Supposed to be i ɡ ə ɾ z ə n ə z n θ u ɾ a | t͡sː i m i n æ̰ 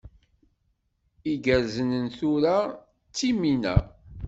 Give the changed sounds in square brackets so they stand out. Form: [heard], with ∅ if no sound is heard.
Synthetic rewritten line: i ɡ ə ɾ z ə n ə [∅] n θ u ɾ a | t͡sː i m i n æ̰